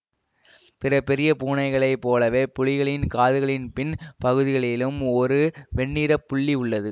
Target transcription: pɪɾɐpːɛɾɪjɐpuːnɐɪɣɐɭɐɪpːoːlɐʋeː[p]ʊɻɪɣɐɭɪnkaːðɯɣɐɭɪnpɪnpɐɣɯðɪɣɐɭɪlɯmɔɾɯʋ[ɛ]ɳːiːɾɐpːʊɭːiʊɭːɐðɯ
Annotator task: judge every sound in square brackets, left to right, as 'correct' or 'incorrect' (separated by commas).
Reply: correct, correct